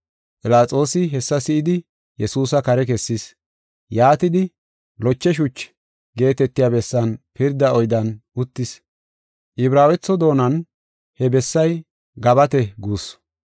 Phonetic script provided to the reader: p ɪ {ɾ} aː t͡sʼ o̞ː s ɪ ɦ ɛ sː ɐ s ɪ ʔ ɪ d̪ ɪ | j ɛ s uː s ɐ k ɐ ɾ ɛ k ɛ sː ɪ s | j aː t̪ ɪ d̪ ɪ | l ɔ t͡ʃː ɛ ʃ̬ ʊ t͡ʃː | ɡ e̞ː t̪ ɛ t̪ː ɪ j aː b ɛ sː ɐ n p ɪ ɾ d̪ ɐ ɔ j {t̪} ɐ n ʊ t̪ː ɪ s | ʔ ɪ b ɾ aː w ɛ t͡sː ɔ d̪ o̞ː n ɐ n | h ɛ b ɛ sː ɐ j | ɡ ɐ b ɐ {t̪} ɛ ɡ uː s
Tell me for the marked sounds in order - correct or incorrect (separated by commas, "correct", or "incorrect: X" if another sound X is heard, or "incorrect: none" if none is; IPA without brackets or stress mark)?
incorrect: l, incorrect: d̪, correct